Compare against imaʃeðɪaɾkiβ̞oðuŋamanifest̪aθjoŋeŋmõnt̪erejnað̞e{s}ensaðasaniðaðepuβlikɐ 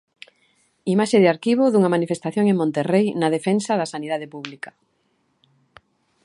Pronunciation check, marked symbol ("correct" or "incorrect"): incorrect